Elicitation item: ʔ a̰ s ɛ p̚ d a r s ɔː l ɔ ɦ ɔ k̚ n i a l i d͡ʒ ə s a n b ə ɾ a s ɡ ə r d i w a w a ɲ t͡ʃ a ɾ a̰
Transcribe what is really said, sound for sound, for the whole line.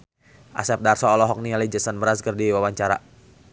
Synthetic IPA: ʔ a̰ s ɛ p̚ d a r s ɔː l ɔ ɦ ɔ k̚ n i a l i d͡ʒ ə s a n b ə ɾ a s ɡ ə r d i w a w a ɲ t͡ʃ a ɾ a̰